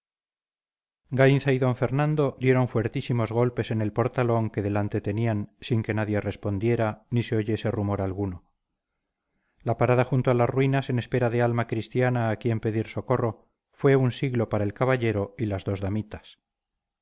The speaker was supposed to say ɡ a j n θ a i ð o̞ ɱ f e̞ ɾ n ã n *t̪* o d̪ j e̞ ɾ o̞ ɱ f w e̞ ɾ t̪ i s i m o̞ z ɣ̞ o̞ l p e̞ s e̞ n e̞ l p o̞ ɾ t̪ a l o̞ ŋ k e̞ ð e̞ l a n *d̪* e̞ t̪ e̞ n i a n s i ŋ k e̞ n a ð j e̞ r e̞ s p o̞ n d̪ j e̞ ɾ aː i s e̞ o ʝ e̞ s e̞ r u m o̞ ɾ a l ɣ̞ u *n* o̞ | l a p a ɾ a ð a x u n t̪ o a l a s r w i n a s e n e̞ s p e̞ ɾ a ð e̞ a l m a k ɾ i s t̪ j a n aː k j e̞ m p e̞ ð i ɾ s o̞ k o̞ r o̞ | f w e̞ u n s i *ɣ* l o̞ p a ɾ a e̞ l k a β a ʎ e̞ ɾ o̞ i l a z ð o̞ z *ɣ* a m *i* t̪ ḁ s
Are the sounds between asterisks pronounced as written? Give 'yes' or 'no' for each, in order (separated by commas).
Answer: no, no, yes, yes, no, yes